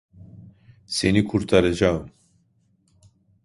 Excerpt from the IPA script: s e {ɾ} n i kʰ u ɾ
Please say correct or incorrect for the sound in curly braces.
incorrect